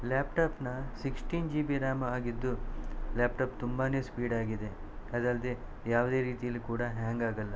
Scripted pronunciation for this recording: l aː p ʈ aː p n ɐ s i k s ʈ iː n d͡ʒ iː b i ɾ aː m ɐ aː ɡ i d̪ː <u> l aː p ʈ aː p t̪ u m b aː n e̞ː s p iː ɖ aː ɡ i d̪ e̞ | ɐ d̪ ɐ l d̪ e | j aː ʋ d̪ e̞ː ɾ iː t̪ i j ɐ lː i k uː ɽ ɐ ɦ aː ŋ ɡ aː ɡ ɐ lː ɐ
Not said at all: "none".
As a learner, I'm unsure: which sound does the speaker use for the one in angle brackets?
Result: u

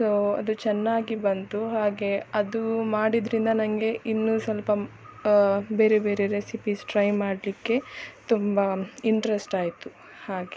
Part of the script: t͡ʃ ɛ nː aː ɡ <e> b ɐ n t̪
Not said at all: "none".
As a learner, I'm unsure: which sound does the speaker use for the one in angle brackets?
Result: i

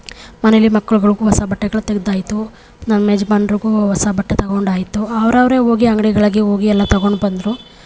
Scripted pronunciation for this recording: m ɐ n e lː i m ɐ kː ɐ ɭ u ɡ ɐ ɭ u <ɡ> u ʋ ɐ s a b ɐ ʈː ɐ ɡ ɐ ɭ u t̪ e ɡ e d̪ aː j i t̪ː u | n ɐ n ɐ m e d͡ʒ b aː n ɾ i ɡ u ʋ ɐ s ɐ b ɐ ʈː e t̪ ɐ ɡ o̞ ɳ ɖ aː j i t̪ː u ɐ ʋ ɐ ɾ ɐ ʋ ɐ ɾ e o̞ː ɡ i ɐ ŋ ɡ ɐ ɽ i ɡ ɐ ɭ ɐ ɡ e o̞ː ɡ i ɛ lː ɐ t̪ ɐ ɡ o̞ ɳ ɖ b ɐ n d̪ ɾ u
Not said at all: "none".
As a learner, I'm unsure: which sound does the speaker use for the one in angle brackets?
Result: ɡ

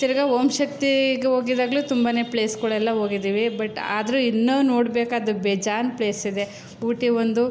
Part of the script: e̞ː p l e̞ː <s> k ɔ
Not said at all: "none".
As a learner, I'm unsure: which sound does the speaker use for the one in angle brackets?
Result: s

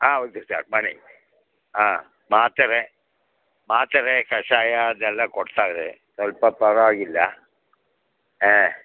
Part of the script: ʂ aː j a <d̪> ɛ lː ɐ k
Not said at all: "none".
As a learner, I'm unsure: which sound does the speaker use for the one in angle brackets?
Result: d̪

